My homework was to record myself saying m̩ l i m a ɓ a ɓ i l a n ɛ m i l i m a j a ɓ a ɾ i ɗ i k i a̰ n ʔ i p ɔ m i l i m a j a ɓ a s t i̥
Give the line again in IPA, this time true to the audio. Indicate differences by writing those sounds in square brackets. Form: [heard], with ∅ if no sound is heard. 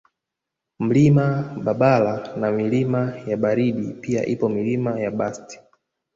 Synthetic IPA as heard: m̩ l i m a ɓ a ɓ [a] l a n [a] m i l i m a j a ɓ a ɾ i ɗ i [p] i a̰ [∅] ʔ i p ɔ m i l i m a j a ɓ a s t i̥

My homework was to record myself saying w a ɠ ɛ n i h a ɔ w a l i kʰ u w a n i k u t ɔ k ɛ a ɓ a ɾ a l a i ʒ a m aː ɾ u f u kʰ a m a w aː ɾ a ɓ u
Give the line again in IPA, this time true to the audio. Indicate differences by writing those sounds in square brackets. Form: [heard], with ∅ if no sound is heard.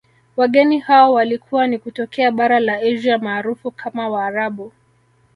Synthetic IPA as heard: w a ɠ ɛ n i h a ɔ w a l i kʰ u w a n i k u t ɔ k ɛ a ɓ a ɾ a l a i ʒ a m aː ɾ u f u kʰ a m a w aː ɾ a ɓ u

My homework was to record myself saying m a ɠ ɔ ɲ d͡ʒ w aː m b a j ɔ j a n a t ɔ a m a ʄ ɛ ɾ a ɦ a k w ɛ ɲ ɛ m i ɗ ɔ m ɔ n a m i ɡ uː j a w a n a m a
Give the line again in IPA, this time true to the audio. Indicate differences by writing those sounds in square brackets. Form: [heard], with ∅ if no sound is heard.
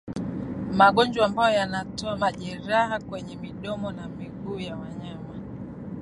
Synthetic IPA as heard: m a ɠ ɔ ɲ d͡ʒ w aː m b a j ɔ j a n a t ɔ a m a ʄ ɛ ɾ a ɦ a k w ɛ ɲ ɛ m i ɗ ɔ m ɔ n a m i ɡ uː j a w a [ɲ] a m a

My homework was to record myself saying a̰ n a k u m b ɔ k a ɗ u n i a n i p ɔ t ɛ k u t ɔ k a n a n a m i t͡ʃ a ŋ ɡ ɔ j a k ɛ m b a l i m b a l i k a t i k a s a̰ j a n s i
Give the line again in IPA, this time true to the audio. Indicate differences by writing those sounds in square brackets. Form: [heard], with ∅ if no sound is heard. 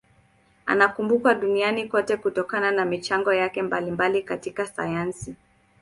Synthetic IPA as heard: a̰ n a k u m b [u] k a ɗ u n i a n i [k] ɔ t ɛ k u t ɔ k a n a n a m i t͡ʃ a ŋ ɡ ɔ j a k ɛ m b a l i m b a l i k a t i k a s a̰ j a n s i

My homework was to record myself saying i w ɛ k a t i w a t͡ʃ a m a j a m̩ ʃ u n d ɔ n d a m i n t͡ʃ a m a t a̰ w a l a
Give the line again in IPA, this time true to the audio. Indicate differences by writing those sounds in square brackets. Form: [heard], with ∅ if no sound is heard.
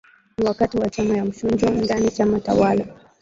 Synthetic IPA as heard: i w [a] k a t i w a t͡ʃ a m a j a m̩ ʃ u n [d͡ʒ] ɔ n d a [n] i [∅] t͡ʃ a m a t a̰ w a l a

